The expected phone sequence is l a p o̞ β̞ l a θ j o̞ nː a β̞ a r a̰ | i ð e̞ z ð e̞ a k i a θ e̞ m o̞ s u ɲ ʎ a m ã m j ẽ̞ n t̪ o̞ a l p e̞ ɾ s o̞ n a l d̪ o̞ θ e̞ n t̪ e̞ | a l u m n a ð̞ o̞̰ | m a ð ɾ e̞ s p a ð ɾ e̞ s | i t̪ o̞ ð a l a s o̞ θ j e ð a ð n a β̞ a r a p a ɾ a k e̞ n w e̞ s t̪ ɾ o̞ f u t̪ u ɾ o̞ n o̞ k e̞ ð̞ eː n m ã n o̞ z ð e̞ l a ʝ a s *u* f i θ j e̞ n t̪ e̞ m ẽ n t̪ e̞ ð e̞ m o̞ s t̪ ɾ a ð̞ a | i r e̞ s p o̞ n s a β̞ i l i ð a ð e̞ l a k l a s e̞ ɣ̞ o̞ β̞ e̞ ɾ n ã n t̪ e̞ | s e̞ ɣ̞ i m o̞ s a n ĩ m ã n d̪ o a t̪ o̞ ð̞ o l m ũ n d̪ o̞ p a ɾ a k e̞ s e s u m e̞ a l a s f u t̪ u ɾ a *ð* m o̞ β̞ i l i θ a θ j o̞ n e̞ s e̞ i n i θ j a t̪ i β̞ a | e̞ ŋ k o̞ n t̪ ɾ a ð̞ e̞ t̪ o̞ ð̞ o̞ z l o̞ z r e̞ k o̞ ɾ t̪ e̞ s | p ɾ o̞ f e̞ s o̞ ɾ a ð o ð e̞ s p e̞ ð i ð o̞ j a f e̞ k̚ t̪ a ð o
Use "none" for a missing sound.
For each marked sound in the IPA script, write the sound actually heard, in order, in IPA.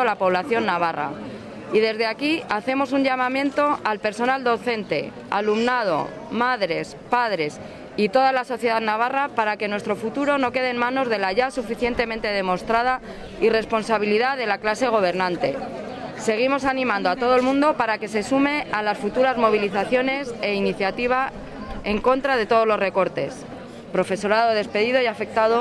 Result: u, z

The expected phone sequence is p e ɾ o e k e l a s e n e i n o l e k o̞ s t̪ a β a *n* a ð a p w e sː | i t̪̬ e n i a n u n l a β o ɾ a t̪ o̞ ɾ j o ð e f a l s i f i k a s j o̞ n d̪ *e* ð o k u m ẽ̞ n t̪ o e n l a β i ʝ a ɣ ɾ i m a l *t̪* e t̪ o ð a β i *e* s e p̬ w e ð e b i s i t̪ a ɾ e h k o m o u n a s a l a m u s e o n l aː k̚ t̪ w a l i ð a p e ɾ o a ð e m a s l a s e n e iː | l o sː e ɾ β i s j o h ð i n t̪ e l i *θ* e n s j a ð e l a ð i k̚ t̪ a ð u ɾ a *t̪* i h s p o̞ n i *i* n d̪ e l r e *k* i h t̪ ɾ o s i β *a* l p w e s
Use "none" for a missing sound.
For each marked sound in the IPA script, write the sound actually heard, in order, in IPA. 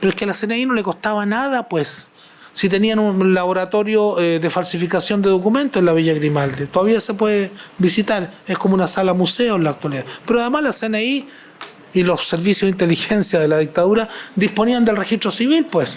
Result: n, e, d̪, a, x, d̪, a, x, i

